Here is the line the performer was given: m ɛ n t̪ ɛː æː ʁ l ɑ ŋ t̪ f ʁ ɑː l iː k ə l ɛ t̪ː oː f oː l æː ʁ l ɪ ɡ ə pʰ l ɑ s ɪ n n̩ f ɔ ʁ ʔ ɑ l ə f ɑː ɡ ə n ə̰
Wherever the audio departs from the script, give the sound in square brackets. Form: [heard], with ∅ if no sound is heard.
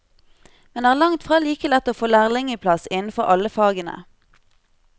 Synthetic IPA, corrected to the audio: m ɛ n [d̪] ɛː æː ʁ l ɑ ŋ t̪ f ʁ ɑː l iː k ə l ɛ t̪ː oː f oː l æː ʁ l ɪ [ŋ] ə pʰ l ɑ s ɪ n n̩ f ɔ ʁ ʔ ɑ l ə f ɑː ɡ ə n ə̰